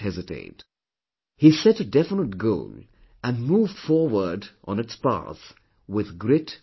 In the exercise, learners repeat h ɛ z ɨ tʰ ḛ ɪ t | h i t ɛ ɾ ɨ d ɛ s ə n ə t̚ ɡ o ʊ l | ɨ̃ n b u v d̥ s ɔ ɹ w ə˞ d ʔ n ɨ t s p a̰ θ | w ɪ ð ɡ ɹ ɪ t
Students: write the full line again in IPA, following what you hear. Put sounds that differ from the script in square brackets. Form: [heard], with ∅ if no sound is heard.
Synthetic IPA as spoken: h ɛ z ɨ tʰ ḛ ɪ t | h i [s] ɛ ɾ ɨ d ɛ [f] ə n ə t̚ ɡ o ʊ l | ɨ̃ n [m] u v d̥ [f] ɔ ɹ w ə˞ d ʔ n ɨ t s p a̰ θ | w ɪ ð ɡ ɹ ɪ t

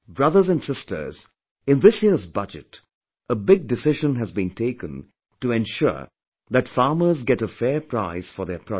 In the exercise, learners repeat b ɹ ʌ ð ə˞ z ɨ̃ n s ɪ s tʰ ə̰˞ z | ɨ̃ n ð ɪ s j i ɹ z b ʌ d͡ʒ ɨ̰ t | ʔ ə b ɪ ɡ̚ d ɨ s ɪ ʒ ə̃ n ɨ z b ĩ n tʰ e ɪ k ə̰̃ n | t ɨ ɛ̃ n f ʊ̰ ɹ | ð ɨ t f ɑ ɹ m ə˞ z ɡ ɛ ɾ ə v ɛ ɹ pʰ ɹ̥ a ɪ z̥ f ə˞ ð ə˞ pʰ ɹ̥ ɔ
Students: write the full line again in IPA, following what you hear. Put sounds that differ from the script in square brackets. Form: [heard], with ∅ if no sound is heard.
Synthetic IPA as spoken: b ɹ ʌ ð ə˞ z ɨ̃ n s ɪ s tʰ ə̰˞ z | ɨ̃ n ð ɪ s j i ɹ z b ʌ d͡ʒ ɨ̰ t | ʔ ə b ɪ ɡ̚ d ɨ s ɪ ʒ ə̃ n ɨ z b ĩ n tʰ e ɪ k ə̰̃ n | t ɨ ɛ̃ n [ʃ] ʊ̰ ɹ | ð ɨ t f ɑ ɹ m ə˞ z ɡ ɛ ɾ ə [f] ɛ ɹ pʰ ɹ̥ a ɪ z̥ f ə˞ ð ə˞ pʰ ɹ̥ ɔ

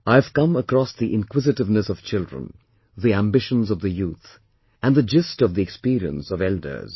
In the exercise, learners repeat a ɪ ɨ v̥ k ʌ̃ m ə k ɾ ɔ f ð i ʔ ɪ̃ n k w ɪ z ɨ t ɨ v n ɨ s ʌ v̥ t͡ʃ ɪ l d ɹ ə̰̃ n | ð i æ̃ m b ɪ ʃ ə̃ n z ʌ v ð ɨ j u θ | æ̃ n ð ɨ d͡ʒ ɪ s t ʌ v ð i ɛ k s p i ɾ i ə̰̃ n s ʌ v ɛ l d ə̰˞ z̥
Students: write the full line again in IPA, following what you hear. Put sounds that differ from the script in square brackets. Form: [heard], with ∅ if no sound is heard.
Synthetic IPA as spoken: a ɪ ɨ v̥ k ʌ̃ m ə k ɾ ɔ [s] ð i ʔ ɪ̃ n k w ɪ z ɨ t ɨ v n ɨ s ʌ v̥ t͡ʃ ɪ l d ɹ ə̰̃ n | ð i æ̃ m b ɪ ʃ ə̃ n z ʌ v ð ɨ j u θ | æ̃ n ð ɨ d͡ʒ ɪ s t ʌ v ð i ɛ k s p i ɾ i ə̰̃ n s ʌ v ɛ l d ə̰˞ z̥

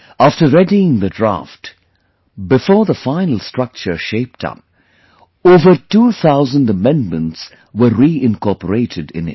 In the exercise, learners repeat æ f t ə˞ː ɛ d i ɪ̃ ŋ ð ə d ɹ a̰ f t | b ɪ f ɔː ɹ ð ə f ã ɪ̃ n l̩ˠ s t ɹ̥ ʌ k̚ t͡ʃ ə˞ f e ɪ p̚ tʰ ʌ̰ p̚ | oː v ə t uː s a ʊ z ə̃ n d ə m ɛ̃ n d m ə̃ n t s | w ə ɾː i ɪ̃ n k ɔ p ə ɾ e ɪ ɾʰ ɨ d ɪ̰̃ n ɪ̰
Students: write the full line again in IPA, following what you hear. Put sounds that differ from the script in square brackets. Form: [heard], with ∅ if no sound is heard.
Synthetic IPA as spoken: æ f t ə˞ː ɛ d i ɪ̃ ŋ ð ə d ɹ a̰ f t | b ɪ f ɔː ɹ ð ə f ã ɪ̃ n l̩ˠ s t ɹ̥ ʌ k̚ t͡ʃ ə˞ [ʃ] e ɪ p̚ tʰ ʌ̰ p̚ | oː v ə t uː [θ] a ʊ z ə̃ n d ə m ɛ̃ n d m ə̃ n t s | w ə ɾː i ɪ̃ n k ɔ p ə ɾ e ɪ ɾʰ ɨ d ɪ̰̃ n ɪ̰

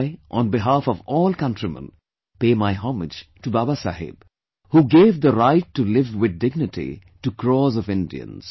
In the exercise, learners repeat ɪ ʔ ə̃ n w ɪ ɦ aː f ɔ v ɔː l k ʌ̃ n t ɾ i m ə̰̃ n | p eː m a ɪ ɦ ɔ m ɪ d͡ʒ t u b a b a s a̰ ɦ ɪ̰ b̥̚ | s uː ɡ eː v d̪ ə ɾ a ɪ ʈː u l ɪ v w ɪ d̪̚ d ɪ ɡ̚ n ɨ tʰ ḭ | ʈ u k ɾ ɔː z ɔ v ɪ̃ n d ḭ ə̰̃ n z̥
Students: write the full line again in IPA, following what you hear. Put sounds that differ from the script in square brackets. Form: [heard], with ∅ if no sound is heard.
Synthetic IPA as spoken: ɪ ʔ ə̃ n [b] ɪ ɦ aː f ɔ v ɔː l k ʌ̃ n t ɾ i m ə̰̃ n | p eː m a ɪ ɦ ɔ m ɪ d͡ʒ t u b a b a s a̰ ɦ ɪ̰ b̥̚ | [h] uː ɡ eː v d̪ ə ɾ a ɪ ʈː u l ɪ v w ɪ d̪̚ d ɪ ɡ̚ n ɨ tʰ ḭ | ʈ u k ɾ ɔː z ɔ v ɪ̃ n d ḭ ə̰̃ n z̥

